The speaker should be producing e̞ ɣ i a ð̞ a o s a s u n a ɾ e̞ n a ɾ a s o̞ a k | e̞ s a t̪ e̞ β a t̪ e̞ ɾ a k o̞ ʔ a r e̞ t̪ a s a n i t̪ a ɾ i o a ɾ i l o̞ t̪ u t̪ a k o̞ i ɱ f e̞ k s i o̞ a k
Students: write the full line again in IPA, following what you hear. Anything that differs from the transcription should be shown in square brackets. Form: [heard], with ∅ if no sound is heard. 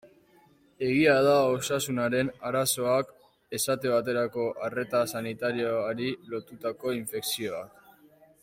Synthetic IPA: e̞ ɣ i a ð̞ a o s a s u n a ɾ e̞ n a ɾ a s o̞ a k | e̞ s a t̪ e̞ β a t̪ e̞ ɾ a k o̞ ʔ a r e̞ t̪ a s a n i t̪ a ɾ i o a ɾ i l o̞ t̪ u t̪ a k o̞ i ɱ f e̞ k s i o̞ a k